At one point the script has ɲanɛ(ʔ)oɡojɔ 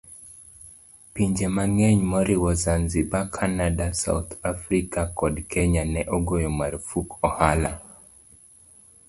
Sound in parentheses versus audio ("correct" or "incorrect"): correct